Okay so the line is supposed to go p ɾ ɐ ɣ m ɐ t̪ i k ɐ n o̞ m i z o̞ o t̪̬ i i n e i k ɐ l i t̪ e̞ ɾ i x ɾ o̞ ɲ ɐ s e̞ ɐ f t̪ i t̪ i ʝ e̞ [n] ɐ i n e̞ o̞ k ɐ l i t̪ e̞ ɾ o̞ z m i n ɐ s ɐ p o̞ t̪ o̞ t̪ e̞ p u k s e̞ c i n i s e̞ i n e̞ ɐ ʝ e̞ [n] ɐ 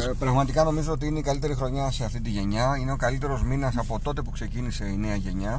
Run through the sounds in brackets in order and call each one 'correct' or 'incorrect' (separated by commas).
incorrect, incorrect